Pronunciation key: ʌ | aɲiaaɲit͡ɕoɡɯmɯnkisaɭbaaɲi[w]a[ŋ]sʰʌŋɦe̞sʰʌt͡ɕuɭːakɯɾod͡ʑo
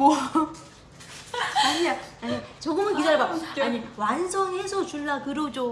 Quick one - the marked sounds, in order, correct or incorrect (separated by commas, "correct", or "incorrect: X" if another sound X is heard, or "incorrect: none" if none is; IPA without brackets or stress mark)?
correct, incorrect: n